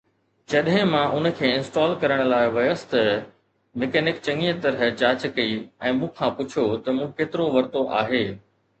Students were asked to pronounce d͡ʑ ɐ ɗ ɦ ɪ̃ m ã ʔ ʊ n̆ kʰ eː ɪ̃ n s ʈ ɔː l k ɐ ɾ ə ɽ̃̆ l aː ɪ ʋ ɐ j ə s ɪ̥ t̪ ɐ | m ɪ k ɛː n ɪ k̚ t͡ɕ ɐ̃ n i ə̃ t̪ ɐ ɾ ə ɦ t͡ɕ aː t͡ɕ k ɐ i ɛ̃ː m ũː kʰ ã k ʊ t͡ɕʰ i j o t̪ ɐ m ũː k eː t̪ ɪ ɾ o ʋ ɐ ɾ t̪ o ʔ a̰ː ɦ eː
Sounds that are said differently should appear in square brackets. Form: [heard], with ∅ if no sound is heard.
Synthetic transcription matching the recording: d͡ʑ ɐ ɗ ɦ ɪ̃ m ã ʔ ʊ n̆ kʰ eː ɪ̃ n s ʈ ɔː l k ɐ ɾ ə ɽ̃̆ l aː ɪ ʋ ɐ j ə s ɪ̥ t̪ ɐ | m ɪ k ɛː n ɪ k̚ t͡ɕ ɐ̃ [ŋ] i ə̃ t̪ ɐ ɾ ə ɦ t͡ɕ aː t͡ɕ k ɐ i ɛ̃ː m ũː kʰ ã [p] ʊ t͡ɕʰ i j o t̪ ɐ m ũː k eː t̪ ɪ ɾ o ʋ ɐ ɾ t̪ o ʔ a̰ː ɦ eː